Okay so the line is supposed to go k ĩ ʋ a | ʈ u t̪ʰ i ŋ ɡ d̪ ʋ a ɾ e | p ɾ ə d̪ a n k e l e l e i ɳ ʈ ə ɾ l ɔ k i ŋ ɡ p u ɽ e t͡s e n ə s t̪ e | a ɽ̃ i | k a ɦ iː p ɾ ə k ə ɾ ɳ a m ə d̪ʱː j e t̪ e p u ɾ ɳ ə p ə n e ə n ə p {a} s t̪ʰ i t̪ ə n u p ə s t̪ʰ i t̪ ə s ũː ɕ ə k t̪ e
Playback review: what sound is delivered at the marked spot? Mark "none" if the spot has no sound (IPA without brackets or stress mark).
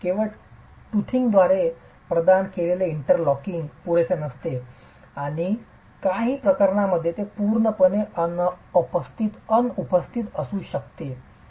ə